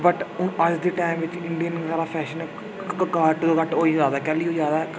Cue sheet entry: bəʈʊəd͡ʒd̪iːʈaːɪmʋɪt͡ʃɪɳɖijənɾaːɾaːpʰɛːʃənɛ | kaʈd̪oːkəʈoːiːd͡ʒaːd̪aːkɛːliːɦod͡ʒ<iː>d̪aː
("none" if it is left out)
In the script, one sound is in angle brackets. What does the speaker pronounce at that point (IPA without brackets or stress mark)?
aː